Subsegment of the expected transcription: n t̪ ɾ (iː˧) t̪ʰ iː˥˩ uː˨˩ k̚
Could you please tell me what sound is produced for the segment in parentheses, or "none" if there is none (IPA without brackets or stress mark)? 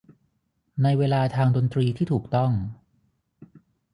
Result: iː˧